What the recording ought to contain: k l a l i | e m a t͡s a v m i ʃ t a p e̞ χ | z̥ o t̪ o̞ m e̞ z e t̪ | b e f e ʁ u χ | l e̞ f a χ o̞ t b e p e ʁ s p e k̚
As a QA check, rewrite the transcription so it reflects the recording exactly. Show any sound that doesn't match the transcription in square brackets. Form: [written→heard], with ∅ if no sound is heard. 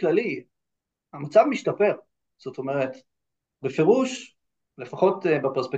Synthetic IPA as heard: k l a l i | [e→a] m a t͡s a v m i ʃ t a p e̞ [χ→ʁ] | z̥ o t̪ o̞ m e̞ [z→ʁ] e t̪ | b e f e ʁ u [χ→ʃ] | l e̞ f a χ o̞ t b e p e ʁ s p e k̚